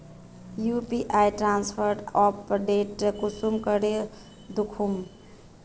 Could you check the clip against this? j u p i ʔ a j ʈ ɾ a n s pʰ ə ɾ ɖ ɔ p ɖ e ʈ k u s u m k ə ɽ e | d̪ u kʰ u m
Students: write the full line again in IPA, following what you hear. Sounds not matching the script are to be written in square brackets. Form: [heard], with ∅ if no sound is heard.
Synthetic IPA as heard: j u p i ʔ a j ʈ ɾ a n s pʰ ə ɾ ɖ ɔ p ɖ e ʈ k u s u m k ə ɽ e | d̪ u kʰ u m

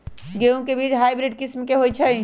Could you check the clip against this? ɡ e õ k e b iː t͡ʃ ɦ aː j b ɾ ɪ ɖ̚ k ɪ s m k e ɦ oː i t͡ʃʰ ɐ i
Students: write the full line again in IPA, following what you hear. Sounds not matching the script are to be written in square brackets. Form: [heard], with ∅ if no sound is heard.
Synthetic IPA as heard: ɡ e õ k e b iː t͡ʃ ɦ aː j b ɾ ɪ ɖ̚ k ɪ s m k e ɦ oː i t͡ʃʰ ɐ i

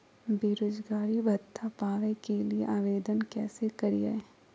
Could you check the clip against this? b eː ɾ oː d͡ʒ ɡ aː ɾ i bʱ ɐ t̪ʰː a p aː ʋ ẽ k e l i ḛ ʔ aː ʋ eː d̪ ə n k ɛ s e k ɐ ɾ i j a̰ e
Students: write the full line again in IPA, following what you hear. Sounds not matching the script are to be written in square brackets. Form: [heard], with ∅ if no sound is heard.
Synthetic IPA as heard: b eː ɾ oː d͡ʒ ɡ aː ɾ i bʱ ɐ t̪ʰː a p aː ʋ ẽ k e l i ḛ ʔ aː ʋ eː d̪ ə n k [ɛː] s e k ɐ ɾ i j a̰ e

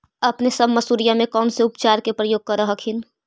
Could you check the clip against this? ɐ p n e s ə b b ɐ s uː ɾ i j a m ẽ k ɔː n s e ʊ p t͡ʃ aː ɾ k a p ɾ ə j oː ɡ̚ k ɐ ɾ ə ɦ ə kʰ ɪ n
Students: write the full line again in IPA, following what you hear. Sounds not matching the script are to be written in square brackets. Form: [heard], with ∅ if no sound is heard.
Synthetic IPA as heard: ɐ p n e s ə b [m] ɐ s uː ɾ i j a m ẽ k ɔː n s e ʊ p t͡ʃ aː ɾ k [e] p ɾ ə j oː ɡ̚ k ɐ ɾ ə ɦ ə kʰ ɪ n

